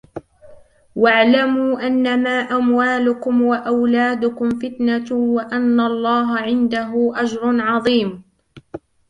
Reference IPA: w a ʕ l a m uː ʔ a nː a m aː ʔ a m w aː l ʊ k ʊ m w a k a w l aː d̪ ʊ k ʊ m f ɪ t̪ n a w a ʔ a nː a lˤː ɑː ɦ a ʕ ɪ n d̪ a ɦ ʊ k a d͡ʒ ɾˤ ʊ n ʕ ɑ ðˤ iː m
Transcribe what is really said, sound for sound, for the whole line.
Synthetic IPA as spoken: w a ʕ l a m uː ʔ a nː a m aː ʔ a m w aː l ʊ k ʊ m w a ʔ a w l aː d̪ ʊ k ʊ m f ɪ t̪ n a w a ʔ a nː a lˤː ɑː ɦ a ʕ ɪ n d̪ a ɦ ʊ ʔ a d͡ʒ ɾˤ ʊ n ʕ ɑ ðˤ iː m